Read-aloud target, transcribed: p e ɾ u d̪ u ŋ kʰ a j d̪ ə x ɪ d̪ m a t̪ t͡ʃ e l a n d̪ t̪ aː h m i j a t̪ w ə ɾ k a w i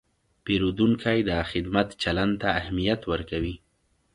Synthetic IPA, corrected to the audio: p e ɾ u d̪ u ŋ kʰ a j d̪ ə x ɪ d̪ m a t̪ t͡ʃ a l a n d̪ t̪ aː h m i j a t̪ w ə ɾ k a w i